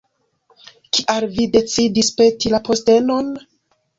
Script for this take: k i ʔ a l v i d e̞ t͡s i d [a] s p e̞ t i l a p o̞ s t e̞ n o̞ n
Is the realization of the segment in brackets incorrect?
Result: yes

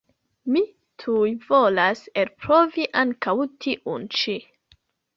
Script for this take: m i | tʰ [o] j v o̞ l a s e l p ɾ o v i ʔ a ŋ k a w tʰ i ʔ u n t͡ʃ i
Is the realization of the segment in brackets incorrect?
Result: yes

